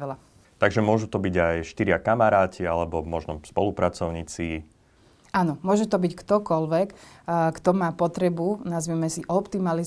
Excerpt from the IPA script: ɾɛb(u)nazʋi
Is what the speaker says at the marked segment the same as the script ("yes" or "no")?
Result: yes